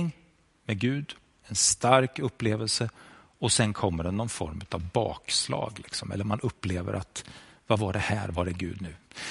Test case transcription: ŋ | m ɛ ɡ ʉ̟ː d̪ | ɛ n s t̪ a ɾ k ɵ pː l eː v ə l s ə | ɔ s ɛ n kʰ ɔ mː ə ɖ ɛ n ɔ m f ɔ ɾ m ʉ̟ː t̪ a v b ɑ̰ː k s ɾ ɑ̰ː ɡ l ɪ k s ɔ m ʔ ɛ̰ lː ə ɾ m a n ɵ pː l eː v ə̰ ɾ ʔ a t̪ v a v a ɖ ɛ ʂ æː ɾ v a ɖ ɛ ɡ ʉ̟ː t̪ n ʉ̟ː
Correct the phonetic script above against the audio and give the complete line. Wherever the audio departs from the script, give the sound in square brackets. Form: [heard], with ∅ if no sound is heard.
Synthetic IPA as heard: ŋ | m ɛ ɡ ʉ̟ː d̪ | ɛ n s t̪ a ɾ k ɵ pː l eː v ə l s ə | ɔ s ɛ n kʰ ɔ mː ə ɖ ɛ n ɔ [n] f ɔ ɾ m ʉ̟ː t̪ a v b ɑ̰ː k s [l] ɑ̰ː ɡ l ɪ k s ɔ m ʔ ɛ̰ lː ə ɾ m a n ɵ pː l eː v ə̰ ɾ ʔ a t̪ v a v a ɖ ɛ [h] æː ɾ v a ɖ ɛ ɡ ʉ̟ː [d̪] n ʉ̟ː